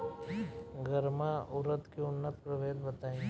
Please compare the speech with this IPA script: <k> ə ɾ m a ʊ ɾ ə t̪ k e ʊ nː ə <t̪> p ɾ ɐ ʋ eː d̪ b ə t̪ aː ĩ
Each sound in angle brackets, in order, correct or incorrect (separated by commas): incorrect, correct